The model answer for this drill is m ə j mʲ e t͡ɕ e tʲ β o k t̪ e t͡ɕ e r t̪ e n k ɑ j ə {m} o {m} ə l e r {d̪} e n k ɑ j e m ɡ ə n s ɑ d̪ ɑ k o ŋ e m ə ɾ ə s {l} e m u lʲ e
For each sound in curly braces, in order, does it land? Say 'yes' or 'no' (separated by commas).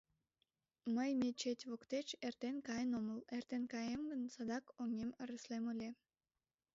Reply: no, yes, no, yes